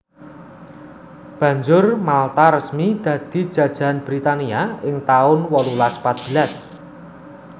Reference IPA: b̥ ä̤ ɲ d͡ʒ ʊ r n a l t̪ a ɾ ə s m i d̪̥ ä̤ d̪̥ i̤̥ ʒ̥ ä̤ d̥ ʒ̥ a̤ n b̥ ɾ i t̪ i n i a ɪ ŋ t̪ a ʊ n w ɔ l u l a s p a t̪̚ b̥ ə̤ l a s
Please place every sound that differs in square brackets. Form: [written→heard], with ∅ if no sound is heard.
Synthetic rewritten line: b̥ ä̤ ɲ d͡ʒ ʊ r [n→m] a l t̪ a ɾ ə s m i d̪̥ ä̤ d̪̥ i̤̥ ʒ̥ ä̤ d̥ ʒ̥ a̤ n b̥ ɾ i t̪ [i→a] n i a ɪ ŋ t̪ a ʊ n w ɔ l u l a s p a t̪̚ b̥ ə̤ l a s